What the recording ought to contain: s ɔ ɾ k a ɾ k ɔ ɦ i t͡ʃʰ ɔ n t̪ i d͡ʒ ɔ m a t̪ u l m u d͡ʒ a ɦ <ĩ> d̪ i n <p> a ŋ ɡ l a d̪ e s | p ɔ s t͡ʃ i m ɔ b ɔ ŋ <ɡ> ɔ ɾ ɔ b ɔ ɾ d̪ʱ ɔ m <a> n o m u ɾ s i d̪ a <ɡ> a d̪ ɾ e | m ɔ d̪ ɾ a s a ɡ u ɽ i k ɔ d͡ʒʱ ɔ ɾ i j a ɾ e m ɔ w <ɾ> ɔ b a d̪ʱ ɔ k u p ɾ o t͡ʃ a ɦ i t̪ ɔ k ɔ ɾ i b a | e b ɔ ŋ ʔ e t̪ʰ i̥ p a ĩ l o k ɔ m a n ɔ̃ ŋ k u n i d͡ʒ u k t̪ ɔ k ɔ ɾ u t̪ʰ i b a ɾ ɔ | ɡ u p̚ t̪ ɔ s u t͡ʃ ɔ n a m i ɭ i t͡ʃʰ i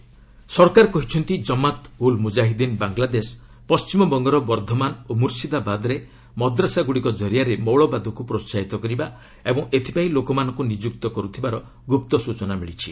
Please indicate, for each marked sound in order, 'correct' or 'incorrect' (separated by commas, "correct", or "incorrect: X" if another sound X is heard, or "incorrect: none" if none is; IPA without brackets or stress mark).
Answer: incorrect: i, incorrect: b, correct, correct, incorrect: b, incorrect: ɭ